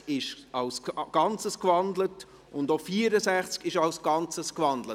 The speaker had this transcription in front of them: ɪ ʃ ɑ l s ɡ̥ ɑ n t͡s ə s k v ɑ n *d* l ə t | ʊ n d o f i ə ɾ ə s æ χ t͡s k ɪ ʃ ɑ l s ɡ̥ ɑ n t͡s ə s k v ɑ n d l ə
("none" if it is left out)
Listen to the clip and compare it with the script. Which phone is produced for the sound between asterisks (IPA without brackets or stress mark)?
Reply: d